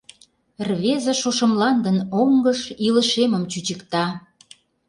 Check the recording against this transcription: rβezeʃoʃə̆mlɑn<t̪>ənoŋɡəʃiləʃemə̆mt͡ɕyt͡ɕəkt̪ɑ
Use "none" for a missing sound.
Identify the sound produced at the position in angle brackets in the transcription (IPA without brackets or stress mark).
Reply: d̪